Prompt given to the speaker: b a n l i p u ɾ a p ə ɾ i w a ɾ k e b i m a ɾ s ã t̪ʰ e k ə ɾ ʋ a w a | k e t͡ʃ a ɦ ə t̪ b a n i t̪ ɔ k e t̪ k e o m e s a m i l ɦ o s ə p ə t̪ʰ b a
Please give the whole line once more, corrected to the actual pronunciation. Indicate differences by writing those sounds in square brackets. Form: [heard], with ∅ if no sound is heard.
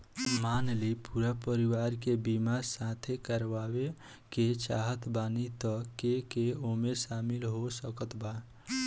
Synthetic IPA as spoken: [m] a n l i p u ɾ a p ə ɾ i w a ɾ k e b i m a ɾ s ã t̪ʰ e k ə ɾ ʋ a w [e] | k e t͡ʃ a ɦ ə t̪ b a n i t̪ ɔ k e [∅] k e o m e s a m i l ɦ o s ə [k] ə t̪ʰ b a